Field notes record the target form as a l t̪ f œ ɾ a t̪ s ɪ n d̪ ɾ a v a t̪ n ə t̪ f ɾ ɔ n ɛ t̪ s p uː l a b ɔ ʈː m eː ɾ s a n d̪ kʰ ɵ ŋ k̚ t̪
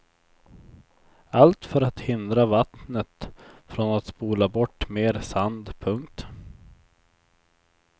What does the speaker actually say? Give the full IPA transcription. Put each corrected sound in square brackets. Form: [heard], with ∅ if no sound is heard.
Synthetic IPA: a l t̪ f œ ɾ a t̪ [h] ɪ n d̪ ɾ a v a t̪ n ə t̪ f ɾ ɔ n [a] t̪ s p uː l a b ɔ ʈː m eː ɾ s a n d̪ [pʰ] ɵ ŋ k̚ t̪